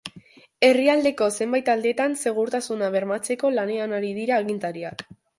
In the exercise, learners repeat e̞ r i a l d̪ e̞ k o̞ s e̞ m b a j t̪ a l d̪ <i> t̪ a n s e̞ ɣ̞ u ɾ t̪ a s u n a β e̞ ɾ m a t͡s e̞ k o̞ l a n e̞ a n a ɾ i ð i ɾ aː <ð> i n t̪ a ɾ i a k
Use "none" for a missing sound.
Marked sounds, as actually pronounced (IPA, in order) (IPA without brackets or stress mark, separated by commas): e, ɣ